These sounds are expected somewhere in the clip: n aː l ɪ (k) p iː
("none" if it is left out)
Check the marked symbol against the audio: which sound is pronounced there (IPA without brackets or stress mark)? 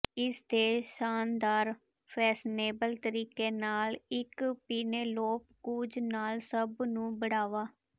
k